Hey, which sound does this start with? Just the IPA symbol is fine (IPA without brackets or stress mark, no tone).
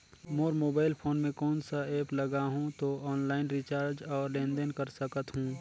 m